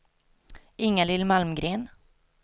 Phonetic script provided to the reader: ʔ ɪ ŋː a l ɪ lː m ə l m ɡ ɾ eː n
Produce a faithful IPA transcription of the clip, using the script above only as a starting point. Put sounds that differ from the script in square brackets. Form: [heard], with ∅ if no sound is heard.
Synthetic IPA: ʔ ɪ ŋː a l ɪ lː m [a] l m ɡ ɾ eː n